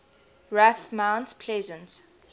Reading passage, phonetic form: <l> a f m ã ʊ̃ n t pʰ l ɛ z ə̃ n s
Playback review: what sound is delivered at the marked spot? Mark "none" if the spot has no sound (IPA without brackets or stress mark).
ɹ